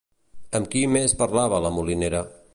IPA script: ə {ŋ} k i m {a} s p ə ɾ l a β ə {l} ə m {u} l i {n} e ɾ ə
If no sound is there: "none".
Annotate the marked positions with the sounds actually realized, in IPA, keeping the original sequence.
m, e, l, u, n

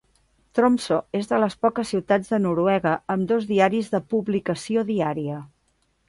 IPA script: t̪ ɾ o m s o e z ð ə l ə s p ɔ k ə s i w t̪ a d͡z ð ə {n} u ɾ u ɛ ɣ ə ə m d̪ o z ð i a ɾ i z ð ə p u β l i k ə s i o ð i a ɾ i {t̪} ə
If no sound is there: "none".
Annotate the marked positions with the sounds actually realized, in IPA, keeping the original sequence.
n, none

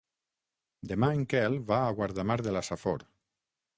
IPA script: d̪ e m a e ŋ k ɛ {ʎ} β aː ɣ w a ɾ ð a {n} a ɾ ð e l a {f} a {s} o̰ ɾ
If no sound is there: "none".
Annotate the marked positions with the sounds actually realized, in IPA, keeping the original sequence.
l, m, s, f

